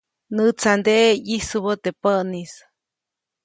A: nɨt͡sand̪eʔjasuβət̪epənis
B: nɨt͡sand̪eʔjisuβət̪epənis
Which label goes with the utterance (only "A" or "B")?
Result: B